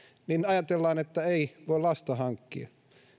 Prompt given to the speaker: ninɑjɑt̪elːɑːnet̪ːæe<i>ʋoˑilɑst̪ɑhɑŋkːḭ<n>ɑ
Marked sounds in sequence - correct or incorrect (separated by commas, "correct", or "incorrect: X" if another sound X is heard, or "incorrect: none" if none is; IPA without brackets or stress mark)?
correct, incorrect: none